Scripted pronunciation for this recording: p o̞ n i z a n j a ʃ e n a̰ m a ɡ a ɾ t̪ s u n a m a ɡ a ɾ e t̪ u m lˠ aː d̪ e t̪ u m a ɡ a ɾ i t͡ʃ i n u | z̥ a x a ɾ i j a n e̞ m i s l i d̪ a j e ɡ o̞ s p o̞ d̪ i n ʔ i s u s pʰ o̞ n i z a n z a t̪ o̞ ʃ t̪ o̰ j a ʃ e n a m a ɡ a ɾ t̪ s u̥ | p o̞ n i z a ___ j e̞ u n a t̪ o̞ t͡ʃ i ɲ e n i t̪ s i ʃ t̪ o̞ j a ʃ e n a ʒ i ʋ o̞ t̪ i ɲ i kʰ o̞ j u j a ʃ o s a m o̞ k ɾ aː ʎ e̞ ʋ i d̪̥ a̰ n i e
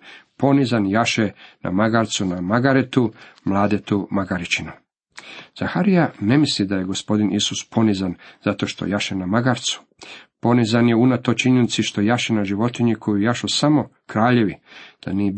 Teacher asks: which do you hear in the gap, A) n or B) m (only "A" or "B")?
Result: A